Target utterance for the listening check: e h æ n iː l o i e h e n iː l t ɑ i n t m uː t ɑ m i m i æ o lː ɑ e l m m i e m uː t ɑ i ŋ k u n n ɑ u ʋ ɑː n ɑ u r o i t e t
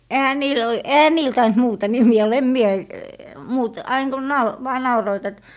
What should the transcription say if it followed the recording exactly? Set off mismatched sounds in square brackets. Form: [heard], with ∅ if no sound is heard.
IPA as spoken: e h æ n iː l o i e h [æ] n iː l t ɑ i n t m uː t ɑ [n] i m i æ o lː ɑ e [∅] m m i e m uː t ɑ i ŋ k u n n ɑ u ʋ ɑː n ɑ u r o i t e t